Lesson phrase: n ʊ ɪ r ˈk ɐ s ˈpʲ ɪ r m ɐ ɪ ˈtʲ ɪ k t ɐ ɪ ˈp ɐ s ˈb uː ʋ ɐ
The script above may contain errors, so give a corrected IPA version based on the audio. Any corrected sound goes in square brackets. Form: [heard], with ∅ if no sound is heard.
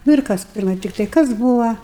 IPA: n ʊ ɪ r ˈk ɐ s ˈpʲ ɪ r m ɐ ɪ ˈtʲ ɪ k t ɐ ɪ [ˈk] ɐ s ˈb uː ʋ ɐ